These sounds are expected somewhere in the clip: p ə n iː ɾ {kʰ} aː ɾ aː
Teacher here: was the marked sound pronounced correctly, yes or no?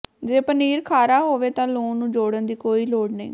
yes